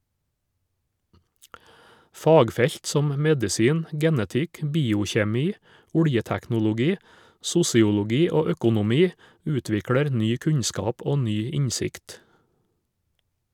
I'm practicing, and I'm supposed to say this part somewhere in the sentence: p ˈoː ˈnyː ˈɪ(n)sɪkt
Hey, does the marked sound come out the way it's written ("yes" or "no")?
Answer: no